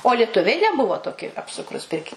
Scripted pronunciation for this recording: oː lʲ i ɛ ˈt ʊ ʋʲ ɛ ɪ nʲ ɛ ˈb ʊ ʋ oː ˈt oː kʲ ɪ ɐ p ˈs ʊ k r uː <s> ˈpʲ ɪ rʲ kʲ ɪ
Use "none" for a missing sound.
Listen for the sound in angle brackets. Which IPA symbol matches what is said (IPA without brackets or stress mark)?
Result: s